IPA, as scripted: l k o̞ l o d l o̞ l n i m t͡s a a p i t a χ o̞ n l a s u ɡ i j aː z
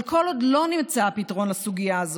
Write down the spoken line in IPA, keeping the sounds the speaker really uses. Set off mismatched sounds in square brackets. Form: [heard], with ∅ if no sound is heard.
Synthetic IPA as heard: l k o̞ l o d l o̞ [∅] n i m t͡s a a p i t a [ʁ] o̞ n l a s u ɡ i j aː z